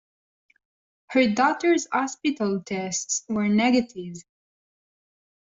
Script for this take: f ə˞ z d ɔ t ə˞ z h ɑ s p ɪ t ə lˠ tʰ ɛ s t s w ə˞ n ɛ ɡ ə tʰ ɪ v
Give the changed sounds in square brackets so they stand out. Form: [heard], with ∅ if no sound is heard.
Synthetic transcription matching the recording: [h] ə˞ [∅] d ɔ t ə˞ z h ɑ s p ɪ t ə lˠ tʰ ɛ s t s w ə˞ n ɛ ɡ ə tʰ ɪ v